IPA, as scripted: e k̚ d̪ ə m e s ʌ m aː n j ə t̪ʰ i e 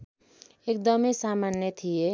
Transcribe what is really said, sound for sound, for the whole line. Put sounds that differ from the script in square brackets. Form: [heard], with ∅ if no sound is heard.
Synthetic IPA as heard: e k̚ d̪ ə m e s [a] m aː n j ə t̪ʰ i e